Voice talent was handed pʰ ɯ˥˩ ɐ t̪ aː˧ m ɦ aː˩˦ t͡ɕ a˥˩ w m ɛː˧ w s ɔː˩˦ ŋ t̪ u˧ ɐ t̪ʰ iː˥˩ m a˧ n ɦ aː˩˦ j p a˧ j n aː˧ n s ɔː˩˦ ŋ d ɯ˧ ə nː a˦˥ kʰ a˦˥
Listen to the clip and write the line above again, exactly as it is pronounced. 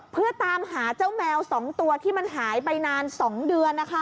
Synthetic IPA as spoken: pʰ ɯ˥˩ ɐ t̪ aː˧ m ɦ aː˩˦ t͡ɕ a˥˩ w m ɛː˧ w s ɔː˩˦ ŋ t̪ u˧ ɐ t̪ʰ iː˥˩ m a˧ n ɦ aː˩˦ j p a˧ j n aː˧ n s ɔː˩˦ ŋ d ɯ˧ ə nː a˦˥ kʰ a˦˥